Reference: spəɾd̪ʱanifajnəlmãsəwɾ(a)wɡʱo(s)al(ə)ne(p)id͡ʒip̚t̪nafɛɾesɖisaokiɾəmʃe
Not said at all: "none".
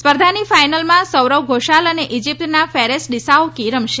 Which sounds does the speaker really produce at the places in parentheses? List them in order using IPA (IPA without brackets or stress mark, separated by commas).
ə, ʃ, ə, ʔ